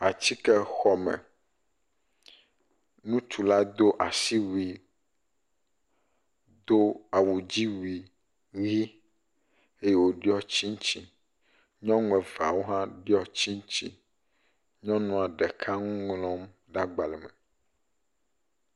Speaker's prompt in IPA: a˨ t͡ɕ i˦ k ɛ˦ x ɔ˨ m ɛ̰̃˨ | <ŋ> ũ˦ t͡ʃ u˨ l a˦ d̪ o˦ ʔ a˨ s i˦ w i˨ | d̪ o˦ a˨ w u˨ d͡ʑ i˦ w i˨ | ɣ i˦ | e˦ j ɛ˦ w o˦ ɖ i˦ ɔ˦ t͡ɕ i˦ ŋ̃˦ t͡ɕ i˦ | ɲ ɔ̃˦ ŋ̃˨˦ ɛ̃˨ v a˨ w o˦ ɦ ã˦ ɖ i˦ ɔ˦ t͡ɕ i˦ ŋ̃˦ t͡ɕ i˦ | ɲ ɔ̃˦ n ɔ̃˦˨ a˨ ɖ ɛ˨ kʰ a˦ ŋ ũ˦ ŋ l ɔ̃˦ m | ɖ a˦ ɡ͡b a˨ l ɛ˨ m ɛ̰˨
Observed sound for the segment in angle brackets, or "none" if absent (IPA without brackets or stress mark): n